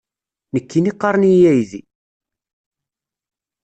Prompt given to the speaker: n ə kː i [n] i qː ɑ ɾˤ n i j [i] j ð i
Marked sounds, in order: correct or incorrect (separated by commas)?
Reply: correct, incorrect